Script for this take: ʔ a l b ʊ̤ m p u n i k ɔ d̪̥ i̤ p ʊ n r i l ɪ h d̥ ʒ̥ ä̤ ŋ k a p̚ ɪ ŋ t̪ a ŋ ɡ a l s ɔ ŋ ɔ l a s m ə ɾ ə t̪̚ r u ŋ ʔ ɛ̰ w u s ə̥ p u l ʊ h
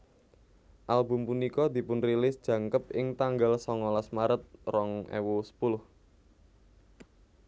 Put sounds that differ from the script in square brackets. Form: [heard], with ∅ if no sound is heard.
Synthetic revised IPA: ʔ a l b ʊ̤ m p u n i k ɔ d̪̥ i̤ p ʊ n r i l ɪ [s] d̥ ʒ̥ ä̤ ŋ k [ə] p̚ ɪ ŋ t̪ a ŋ ɡ a l s ɔ ŋ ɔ l a s m [a] ɾ ə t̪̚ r [ɔ] ŋ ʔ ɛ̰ w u s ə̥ p u l ʊ h